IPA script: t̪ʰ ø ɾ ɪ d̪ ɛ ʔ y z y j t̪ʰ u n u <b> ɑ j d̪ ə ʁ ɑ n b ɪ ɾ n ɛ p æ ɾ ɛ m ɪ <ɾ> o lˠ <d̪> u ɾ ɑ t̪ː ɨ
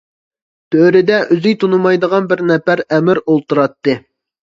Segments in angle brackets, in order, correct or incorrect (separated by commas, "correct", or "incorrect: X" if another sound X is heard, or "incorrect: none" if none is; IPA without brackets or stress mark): incorrect: m, correct, incorrect: t̪